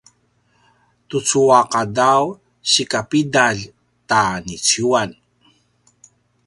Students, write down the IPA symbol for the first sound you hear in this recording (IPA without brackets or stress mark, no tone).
t